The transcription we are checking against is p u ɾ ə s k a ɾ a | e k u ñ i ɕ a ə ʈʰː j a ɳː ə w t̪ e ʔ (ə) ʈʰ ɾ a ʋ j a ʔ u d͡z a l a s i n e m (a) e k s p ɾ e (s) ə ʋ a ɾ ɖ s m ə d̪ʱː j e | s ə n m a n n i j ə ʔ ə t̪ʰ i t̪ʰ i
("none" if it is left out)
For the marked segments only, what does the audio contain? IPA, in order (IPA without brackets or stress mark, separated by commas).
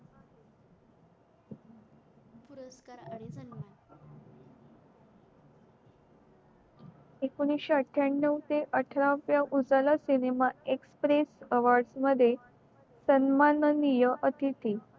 ə, a, s